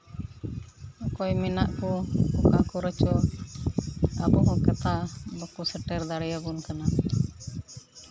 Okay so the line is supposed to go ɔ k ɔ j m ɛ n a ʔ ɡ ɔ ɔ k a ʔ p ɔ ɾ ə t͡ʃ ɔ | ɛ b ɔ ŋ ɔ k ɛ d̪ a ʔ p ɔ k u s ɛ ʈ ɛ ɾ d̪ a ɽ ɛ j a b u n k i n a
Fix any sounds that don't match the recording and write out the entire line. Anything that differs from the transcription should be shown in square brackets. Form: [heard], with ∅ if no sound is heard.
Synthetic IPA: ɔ k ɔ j m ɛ n a ʔ [k] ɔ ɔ k a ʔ [k] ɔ ɾ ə t͡ʃ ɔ | [a] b ɔ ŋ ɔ k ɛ [t̪] a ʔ [b] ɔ k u s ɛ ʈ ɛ ɾ d̪ a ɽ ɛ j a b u n k [a] n a